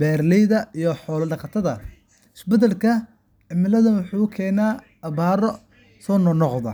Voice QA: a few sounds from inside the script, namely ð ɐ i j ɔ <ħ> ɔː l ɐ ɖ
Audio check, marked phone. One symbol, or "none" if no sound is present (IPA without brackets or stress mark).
ħ